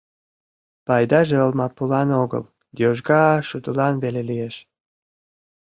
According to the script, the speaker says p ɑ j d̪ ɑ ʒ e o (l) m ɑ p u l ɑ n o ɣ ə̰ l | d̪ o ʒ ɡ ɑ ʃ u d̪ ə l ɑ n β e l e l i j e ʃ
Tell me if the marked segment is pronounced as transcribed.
yes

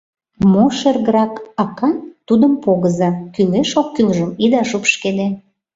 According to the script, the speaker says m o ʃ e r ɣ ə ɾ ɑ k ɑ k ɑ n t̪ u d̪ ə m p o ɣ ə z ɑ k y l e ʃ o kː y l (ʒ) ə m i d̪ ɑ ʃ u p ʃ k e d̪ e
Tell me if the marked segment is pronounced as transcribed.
yes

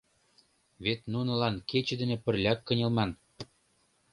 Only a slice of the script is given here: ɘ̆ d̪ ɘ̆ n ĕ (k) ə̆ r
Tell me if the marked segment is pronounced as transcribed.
no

